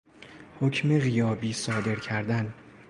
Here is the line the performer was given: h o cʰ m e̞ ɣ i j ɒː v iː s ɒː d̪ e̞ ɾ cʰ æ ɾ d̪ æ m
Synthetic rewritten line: h o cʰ m e̞ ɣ i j ɒː b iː s ɒː d̪ e̞ ɾ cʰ æ ɾ d̪ æ n